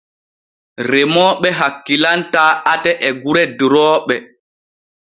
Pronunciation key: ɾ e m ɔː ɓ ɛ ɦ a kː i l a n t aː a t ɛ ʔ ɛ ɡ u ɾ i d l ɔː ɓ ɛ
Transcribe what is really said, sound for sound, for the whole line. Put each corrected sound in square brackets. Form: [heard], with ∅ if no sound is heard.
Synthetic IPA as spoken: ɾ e m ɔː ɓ ɛ ɦ a kː i l a n t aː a t ɛ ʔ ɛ ɡ u ɾ [ɛ] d [ɾ] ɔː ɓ ɛ